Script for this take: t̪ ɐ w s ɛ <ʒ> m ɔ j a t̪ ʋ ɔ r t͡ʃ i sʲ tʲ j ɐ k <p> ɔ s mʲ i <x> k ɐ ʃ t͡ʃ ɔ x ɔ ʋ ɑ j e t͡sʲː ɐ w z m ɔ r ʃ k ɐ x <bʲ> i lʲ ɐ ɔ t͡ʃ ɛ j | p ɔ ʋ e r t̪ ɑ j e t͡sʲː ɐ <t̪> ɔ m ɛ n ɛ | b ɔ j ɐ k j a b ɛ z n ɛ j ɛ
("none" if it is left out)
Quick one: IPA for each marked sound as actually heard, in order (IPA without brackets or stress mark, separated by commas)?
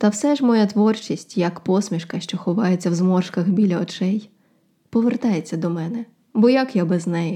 ʒ, p, ʃ, bʲ, d̪